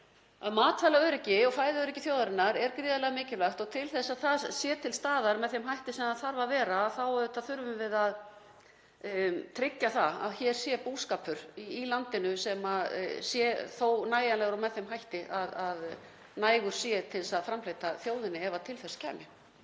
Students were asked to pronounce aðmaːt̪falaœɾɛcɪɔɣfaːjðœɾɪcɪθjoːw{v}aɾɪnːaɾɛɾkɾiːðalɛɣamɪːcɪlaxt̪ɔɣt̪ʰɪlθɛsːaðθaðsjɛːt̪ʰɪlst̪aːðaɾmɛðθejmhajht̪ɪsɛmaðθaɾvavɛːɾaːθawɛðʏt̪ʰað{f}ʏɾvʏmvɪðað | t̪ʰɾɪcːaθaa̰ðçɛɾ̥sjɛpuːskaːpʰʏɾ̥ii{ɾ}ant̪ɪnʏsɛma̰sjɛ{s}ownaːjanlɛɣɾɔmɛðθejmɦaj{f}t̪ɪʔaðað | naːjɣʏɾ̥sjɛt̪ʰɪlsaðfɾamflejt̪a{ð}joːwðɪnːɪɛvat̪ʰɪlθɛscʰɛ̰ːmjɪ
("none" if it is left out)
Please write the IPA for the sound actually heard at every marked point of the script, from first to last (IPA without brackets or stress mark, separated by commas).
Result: ð, θ, l, θ, h, θ